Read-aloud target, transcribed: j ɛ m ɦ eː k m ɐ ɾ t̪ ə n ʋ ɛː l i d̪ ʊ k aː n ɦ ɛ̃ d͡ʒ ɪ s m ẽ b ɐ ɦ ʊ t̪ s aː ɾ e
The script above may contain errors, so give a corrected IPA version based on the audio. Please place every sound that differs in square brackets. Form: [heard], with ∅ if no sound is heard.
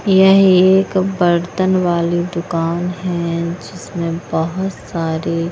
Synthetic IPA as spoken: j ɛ [∅] ɦ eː k [b] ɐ ɾ t̪ ə n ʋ [aː] l i d̪ ʊ k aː n ɦ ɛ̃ d͡ʒ ɪ s m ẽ b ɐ ɦ ʊ t̪ s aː ɾ e